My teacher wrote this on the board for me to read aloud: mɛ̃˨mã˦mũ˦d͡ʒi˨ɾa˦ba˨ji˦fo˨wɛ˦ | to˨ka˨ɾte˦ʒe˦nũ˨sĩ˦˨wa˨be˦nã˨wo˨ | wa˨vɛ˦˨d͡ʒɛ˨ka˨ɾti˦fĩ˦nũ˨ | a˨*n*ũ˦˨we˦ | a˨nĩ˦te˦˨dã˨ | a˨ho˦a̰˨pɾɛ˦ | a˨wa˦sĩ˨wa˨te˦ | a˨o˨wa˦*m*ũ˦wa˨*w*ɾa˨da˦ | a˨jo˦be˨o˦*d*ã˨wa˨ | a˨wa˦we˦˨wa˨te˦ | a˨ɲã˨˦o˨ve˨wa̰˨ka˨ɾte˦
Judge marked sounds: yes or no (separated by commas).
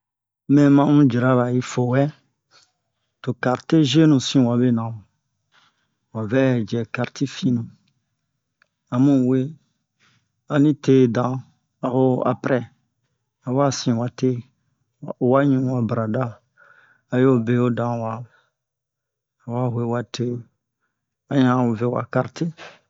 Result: no, no, no, yes